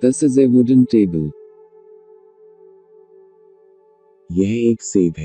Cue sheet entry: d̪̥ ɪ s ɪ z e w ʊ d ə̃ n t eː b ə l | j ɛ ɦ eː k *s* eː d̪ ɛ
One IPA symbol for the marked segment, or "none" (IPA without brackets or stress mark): s